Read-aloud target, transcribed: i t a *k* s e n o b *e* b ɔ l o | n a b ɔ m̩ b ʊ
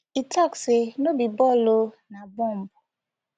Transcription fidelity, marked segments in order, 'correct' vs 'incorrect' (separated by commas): correct, incorrect